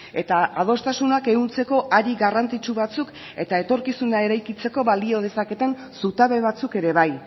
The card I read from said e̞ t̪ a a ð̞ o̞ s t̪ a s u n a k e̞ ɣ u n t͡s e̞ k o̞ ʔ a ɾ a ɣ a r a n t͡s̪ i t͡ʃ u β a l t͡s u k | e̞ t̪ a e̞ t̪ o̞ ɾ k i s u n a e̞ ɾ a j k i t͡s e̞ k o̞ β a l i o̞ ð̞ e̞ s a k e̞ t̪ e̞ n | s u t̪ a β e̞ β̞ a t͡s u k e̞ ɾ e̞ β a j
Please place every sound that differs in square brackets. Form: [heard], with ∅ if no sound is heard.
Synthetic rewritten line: e̞ t̪ a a ð̞ o̞ s t̪ a s u n a k e̞ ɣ u n t͡s e̞ k o̞ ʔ a ɾ [i] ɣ a r a n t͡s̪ i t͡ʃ u β a [∅] t͡s u k | e̞ t̪ a e̞ t̪ o̞ ɾ k i s u n a e̞ ɾ a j k i t͡s e̞ k o̞ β a l i o̞ ð̞ e̞ s a k e̞ t̪ e̞ n | s u t̪ a β e̞ β̞ a t͡s u k e̞ ɾ e̞ β a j